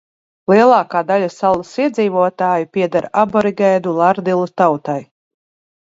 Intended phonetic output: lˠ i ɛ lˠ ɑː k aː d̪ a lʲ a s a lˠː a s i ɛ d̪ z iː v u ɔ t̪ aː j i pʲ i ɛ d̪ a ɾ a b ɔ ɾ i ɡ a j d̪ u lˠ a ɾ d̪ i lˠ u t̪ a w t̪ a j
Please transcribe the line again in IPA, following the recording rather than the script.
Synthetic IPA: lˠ i ɛ lˠ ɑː k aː d̪ a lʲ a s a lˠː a s i ɛ d̪ z iː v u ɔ t̪ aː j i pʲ i ɛ d̪ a ɾ a b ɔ ɾ i ɡ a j d̪ u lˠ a ɾ d̪ i lˠ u t̪ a w t̪ a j

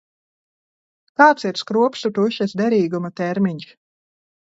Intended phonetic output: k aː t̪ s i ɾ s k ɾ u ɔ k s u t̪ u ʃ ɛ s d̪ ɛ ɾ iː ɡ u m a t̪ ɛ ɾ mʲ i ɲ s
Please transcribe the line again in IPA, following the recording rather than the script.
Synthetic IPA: k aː t̪ s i ɾ s k ɾ u ɔ p s u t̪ u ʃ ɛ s d̪ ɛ ɾ iː ɡ u m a t̪ ɛ ɾ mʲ i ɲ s

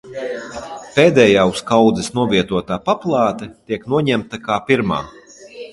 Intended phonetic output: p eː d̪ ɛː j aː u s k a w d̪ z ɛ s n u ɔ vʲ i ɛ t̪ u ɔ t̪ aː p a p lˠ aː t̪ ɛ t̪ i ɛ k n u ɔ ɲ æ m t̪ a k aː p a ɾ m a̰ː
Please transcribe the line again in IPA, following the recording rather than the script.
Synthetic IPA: p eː d̪ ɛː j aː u s k a w d̪ z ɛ s n u ɔ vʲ i ɛ t̪ u ɔ t̪ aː p a p lˠ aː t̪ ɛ t̪ i ɛ k n u ɔ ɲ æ m t̪ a k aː p i ɾ m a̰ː

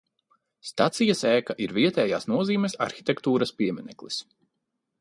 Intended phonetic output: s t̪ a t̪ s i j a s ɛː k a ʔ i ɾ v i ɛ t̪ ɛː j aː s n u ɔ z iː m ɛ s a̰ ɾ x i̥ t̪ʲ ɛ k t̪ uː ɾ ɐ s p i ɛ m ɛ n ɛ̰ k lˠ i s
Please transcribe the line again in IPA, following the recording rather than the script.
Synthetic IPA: s t̪ a t̪ s i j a s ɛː k a ʔ i ɾ v i ɛ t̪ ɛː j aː s n u ɔ z iː m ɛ s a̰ ɾ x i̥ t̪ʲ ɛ k t̪ uː ɾ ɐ s p i ɛ m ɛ n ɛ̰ k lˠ i s

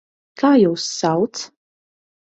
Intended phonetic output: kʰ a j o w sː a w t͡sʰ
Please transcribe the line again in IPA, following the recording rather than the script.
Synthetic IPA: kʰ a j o w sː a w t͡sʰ

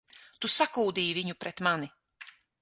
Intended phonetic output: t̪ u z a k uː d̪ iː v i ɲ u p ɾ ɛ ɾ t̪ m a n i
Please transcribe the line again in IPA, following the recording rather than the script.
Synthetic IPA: t̪ u s a k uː d̪ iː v i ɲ u p ɾ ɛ t̪ m a n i

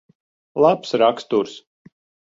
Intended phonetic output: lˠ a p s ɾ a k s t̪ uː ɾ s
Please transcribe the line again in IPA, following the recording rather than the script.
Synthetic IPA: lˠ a p s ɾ a k s t̪ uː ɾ s

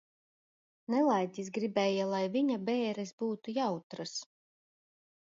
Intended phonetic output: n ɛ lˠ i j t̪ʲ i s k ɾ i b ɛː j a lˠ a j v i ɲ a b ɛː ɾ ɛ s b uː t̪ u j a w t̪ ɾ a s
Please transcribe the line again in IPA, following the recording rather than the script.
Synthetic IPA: n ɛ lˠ a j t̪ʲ i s ɡ ɾ i b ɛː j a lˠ a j v i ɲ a b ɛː ɾ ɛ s b uː t̪ u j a w t̪ ɾ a s

